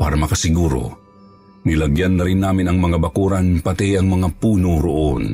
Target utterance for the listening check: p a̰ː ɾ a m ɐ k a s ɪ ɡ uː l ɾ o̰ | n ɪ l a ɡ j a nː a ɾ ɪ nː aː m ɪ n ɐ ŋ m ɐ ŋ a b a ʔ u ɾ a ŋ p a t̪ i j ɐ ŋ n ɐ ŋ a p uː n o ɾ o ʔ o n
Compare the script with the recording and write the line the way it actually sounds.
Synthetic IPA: p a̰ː ɾ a m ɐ k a s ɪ ɡ uː ɾ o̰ | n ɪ l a ɡ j a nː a ɾ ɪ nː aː m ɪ n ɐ ŋ m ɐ ŋ a b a k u ɾ a n p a t̪ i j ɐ ŋ m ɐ ŋ a p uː n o ɾ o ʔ o n